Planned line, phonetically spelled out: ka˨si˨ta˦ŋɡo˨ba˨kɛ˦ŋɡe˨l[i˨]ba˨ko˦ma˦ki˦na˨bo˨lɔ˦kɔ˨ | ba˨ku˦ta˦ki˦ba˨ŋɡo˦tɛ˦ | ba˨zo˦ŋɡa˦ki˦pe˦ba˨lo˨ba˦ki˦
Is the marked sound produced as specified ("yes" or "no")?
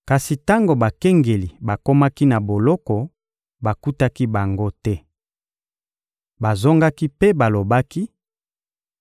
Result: yes